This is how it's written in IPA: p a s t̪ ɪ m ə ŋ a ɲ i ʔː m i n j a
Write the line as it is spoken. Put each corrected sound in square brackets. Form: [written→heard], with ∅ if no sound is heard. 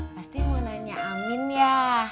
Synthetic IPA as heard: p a s t̪ [ɪ→i] m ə [ŋ→n] a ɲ [i→a] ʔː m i n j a